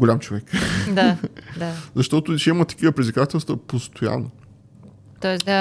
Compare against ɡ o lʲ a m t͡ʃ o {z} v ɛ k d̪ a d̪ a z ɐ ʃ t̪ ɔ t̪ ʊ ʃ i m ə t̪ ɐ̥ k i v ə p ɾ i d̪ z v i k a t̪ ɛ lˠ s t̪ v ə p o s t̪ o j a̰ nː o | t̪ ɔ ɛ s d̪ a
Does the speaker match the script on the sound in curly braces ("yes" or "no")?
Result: no